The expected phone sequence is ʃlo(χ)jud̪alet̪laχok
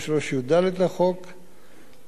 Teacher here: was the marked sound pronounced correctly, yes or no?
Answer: no